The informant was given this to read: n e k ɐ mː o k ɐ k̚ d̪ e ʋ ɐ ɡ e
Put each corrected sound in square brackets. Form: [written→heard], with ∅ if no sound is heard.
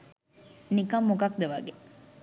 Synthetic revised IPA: n [e→i] k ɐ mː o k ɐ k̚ d̪ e ʋ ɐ ɡ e